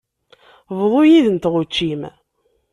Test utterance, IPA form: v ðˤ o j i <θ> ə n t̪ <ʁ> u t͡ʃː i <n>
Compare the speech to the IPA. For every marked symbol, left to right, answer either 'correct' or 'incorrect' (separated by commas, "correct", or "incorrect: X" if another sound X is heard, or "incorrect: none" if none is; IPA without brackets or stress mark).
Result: incorrect: ð, correct, incorrect: m